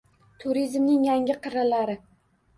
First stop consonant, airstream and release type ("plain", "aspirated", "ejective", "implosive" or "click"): aspirated